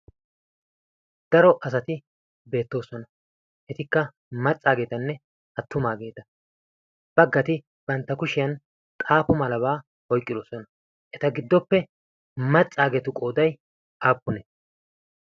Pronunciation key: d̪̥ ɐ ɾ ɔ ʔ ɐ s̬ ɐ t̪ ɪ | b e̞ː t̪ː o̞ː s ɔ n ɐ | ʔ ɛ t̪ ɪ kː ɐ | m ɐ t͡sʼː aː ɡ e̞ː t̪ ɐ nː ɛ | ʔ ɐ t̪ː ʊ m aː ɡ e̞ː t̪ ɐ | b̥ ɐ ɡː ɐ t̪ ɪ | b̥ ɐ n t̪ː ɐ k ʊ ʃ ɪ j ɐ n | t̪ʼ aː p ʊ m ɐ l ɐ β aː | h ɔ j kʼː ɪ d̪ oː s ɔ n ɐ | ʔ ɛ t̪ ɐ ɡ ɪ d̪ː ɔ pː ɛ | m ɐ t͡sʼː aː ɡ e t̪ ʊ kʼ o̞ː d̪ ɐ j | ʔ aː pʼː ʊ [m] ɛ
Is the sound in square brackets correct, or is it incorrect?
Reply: incorrect